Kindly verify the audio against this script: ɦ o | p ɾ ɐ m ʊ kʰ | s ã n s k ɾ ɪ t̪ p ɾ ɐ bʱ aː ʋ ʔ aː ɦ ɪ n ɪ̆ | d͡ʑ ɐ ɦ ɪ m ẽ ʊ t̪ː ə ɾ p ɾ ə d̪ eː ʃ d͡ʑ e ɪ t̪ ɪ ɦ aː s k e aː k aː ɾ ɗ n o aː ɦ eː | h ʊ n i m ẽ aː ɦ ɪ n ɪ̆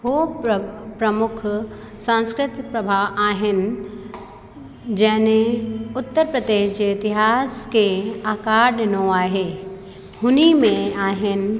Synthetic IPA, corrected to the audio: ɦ o | p ɾ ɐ m ʊ kʰ | s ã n s k ɾ ɪ t̪ p ɾ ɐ bʱ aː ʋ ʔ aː ɦ ɪ n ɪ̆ | d͡ʑ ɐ ɦ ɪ n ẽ ʊ t̪ː ə ɾ p ɾ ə d̪ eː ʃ d͡ʑ e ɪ t̪ ɪ ɦ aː s k e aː k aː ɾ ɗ n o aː ɦ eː | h ʊ n i m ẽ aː ɦ ɪ n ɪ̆